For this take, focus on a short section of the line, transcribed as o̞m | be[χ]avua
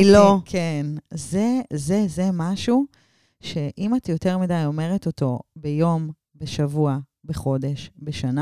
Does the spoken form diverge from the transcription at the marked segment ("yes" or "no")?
yes